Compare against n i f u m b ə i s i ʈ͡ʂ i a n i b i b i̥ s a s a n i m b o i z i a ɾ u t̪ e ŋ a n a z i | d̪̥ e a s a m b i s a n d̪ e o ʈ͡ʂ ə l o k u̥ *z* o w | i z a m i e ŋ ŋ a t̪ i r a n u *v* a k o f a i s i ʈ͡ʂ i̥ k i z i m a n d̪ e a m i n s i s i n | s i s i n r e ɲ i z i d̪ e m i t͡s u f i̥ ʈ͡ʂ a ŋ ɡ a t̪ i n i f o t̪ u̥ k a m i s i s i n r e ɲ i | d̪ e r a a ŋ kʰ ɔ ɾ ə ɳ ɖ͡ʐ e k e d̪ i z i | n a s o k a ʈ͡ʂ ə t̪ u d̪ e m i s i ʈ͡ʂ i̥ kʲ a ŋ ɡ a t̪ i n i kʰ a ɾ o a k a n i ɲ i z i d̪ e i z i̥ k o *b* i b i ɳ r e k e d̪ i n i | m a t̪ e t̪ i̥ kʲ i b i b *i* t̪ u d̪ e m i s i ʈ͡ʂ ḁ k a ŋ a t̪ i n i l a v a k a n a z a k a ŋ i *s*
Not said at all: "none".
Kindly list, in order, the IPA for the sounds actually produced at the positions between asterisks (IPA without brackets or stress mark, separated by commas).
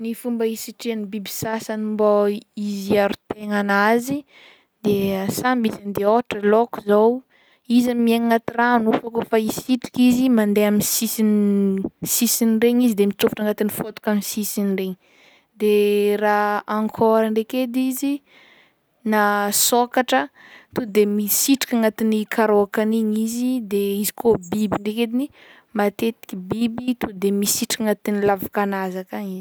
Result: z, f, b, i, z